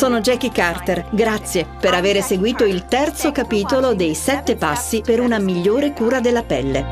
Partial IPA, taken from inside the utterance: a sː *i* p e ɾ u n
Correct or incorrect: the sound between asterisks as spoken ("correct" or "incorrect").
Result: correct